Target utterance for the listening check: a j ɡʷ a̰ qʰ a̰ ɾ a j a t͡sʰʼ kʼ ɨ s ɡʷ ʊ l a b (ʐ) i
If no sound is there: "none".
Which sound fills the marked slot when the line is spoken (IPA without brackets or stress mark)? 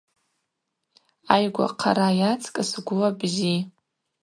z